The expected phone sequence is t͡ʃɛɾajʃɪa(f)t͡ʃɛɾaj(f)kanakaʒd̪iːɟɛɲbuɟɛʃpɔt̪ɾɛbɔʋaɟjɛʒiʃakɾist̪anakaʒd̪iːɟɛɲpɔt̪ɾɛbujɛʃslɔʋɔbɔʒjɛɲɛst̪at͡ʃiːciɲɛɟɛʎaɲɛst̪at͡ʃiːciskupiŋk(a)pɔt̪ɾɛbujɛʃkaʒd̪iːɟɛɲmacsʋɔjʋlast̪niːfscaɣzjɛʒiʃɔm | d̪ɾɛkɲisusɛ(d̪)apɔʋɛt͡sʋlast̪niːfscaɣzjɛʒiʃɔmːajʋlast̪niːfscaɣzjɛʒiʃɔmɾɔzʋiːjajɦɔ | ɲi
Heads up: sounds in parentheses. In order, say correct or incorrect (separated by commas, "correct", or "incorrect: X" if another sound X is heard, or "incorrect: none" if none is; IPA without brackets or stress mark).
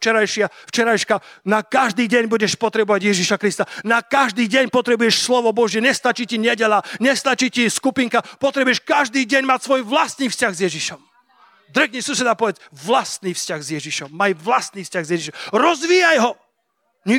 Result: correct, incorrect: ʃ, correct, correct